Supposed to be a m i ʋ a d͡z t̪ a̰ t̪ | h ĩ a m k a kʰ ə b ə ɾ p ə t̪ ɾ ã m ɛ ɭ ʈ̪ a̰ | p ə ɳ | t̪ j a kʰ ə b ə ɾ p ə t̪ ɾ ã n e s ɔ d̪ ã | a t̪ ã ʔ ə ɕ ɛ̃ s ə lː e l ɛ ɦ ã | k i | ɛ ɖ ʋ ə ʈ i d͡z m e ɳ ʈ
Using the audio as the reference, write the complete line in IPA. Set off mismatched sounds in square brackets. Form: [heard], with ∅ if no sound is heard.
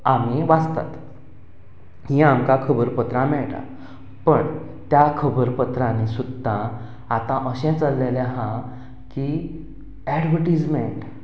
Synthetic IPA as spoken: a m i ʋ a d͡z t̪ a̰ t̪ | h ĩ a m k a kʰ ə b ə ɾ p ə t̪ ɾ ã m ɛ ɭ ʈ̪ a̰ | p ə ɳ | t̪ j a kʰ ə b ə ɾ p ə t̪ ɾ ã n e s [u] d̪ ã | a t̪ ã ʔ ə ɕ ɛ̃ [t͡s] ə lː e l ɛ ɦ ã | k i | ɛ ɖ ʋ ə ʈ i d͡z m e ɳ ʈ